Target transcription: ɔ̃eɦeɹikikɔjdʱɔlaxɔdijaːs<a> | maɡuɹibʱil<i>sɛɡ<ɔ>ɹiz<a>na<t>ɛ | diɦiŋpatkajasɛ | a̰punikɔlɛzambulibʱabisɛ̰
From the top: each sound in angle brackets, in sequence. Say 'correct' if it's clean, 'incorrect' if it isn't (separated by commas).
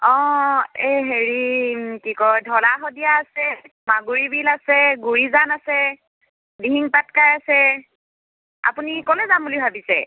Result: incorrect, incorrect, incorrect, correct, incorrect